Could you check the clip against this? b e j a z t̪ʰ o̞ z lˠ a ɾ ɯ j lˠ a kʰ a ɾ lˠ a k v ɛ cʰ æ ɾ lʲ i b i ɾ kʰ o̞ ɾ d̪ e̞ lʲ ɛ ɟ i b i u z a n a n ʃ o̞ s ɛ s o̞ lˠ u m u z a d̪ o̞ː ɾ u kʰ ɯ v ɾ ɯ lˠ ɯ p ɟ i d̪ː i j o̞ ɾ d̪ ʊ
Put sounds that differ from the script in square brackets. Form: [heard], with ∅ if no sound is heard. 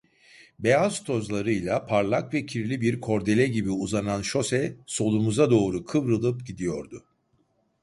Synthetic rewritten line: b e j a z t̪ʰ o̞ z lˠ a ɾ ɯ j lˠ a [pʰ] a ɾ lˠ a k v ɛ cʰ [i] ɾ lʲ i b i ɾ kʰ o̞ ɾ d̪ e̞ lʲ ɛ ɟ i b i u z a n a n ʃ o̞ s ɛ s o̞ lˠ u m u z a d̪ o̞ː ɾ u kʰ ɯ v ɾ ɯ lˠ ɯ p ɟ i [d̪] i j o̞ ɾ d̪ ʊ